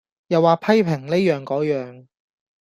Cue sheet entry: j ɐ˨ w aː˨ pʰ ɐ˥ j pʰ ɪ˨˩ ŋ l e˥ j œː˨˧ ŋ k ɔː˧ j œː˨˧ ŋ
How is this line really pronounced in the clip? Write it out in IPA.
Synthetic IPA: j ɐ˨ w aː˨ pʰ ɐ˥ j pʰ ɪ˨˩ ŋ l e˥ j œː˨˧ ŋ k ɔː˨˥ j œː˨˧ ŋ

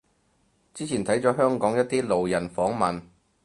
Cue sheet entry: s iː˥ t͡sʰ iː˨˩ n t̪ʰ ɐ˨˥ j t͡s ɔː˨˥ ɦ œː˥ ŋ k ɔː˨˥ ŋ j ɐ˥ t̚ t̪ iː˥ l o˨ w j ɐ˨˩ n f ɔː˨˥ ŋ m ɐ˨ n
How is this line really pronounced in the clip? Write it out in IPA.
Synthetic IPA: t͡s iː˥ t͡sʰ iː˨˩ n t̪ʰ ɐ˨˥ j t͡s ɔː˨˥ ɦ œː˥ ŋ k ɔː˨˥ ŋ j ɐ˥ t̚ t̪ iː˥ l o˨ w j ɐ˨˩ n f ɔː˨˥ ŋ m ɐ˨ n

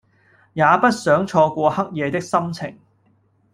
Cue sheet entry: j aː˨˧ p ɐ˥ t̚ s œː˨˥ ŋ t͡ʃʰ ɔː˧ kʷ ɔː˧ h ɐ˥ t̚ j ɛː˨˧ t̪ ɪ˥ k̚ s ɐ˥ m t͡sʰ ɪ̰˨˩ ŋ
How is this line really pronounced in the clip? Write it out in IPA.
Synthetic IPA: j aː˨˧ p ɐ˥ t̚ s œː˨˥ ŋ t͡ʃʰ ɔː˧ kʷ ɔː˧ h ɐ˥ k̚ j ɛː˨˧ t̪ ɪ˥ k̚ s ɐ˥ m t͡sʰ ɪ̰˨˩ ŋ

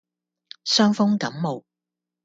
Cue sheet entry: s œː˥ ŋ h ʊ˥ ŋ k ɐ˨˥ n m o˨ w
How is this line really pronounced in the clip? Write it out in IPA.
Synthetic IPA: s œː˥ ŋ f ʊ˥ ŋ k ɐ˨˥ m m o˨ w

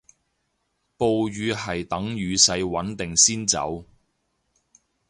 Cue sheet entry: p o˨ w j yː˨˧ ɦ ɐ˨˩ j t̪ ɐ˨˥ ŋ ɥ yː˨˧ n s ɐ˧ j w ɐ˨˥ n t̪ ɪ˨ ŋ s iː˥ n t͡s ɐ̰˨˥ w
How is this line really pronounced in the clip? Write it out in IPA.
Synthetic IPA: p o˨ w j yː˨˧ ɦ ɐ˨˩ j t̪ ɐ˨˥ ŋ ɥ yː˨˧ s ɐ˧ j w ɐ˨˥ n t̪ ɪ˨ ŋ s iː˥ n t͡s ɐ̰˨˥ w

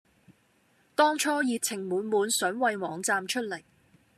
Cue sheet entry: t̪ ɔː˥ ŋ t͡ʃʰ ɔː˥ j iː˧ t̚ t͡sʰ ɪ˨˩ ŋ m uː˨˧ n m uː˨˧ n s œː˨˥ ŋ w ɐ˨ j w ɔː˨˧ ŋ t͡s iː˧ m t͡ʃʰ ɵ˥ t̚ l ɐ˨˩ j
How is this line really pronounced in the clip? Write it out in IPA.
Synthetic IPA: t̪ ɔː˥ ŋ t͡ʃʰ ɔː˥ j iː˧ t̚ t͡sʰ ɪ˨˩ ŋ m uː˨˧ n m uː˨˧ n s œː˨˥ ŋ w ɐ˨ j w ɔː˨˧ ŋ t͡s aː˧ m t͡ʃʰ ɵ˥ t̚ l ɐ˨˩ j

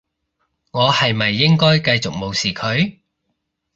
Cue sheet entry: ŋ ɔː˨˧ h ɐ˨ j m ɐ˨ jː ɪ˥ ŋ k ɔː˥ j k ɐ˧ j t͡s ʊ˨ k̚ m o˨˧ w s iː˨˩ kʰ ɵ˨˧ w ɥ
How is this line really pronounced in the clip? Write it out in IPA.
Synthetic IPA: ŋ ɔː˨˧ h ɐ˨ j m ɐ˨ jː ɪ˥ ŋ k ɔː˥ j k ɐ˧ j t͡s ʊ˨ k̚ m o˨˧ w s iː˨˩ kʰ ɵ˨˧ ɥ

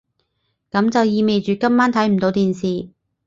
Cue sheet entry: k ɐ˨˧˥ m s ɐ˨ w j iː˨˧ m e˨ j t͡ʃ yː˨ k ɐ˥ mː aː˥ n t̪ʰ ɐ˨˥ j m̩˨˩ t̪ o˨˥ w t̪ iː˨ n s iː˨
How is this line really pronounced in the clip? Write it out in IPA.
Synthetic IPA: k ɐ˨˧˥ m t͡s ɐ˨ w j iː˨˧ m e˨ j t͡ʃ yː˨ k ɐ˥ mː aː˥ n t̪ʰ ɐ˨˥ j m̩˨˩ t̪ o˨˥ w t̪ iː˨ n s iː˨

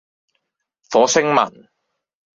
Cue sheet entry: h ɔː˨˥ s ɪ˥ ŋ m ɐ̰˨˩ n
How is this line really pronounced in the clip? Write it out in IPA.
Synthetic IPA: f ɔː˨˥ s ɪ˥ ŋ m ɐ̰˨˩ n

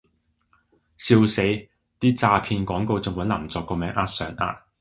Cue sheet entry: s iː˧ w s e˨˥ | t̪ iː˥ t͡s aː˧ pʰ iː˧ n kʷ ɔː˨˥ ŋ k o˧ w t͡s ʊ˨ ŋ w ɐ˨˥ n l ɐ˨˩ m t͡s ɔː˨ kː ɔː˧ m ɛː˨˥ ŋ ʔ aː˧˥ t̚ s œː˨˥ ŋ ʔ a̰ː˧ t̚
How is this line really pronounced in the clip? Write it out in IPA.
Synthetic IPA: s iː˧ w s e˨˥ | t̪ iː˥ t͡s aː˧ pʰ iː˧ n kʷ ɔː˨˥ ŋ k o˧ w t͡s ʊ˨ ŋ w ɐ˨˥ n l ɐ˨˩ m t͡s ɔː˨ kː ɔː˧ m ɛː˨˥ ŋ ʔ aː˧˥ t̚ s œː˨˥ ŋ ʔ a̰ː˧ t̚

